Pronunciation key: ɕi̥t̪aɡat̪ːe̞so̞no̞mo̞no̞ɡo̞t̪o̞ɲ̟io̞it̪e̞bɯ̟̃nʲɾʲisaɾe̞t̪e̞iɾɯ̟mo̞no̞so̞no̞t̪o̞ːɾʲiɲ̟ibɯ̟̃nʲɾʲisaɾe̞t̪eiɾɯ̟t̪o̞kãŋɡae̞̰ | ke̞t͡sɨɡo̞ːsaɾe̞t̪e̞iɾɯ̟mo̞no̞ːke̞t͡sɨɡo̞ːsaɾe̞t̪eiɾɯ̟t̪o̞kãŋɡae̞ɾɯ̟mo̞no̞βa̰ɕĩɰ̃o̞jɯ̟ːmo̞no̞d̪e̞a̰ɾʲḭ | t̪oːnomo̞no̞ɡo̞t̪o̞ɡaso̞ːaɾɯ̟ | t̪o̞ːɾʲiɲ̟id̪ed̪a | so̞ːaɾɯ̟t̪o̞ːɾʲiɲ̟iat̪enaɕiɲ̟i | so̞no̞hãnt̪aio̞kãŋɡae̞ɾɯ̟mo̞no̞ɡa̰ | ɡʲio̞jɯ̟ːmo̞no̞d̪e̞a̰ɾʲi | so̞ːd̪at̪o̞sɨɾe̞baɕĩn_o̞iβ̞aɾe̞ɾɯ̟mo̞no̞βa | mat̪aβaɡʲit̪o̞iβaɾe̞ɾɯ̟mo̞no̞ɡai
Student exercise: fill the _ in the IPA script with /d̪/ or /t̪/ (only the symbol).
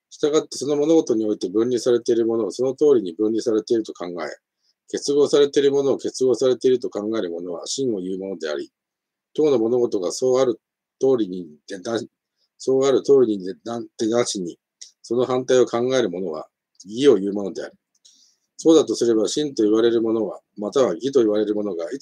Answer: t̪